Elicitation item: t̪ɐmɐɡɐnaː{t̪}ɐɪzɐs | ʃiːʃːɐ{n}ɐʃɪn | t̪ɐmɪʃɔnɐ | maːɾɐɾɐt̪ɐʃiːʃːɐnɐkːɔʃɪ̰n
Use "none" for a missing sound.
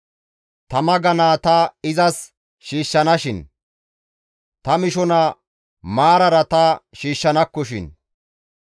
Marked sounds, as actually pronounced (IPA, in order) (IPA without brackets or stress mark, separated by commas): t̪, n